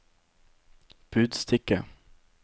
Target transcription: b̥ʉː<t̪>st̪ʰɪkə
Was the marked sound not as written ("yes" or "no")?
yes